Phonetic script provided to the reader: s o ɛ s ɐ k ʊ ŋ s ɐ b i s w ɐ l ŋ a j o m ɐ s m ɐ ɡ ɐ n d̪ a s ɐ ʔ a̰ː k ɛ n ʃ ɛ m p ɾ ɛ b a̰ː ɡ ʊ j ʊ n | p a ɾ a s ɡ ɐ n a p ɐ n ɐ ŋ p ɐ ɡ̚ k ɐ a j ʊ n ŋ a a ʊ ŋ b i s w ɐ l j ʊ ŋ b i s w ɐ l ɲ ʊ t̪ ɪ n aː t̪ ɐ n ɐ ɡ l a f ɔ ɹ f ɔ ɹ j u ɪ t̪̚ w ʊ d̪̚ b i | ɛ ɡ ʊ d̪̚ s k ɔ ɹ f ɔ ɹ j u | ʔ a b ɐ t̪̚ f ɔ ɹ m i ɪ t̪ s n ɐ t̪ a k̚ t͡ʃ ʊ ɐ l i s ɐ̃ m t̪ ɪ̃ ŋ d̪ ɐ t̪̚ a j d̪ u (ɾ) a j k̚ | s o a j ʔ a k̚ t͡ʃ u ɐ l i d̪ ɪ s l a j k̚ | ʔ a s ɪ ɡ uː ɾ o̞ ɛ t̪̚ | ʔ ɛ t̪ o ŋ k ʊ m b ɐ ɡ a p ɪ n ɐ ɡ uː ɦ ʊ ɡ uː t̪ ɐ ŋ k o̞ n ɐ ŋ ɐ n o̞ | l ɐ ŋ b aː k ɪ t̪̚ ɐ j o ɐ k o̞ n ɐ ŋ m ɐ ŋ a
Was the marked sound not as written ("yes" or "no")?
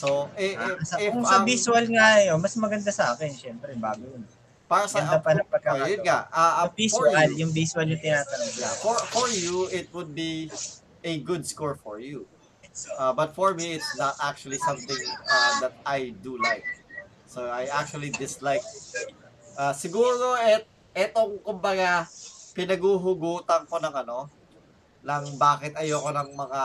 yes